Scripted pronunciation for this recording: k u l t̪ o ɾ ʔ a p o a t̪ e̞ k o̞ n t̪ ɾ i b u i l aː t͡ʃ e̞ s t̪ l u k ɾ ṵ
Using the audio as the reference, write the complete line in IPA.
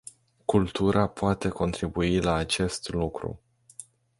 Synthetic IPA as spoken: k u l t̪ u ɾ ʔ a p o a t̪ e̞ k o̞ n t̪ ɾ i b u i l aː t͡ʃ e̞ s t̪ l u k ɾ ṵ